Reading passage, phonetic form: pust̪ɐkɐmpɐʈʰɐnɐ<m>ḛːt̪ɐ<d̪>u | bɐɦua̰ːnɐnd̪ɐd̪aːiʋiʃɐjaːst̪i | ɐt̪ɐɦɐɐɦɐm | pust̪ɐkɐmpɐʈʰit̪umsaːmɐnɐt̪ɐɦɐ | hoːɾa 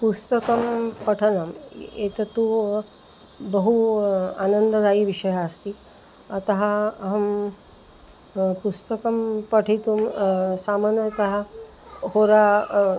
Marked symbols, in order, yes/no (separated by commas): yes, no